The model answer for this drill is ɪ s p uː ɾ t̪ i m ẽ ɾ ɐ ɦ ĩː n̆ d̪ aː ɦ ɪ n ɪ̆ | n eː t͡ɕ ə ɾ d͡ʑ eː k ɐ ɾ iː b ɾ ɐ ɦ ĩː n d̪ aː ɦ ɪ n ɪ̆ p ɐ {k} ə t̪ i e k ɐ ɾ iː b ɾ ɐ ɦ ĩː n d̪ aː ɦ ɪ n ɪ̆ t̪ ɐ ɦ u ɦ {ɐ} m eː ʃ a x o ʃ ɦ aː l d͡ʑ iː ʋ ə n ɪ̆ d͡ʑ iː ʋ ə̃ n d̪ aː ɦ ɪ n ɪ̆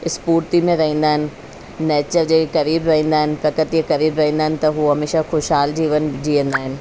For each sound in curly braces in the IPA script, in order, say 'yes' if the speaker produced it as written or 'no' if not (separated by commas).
yes, yes